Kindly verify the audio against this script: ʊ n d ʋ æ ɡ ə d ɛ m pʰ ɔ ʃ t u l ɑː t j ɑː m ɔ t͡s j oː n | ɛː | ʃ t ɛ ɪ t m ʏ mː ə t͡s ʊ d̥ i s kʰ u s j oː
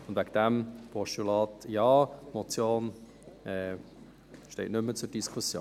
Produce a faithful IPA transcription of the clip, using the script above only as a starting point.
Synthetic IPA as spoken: ʊ n d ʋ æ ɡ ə d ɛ m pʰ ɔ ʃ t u l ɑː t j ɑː m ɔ t͡s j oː n | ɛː | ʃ t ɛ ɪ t n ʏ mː ə t͡s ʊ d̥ i s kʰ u s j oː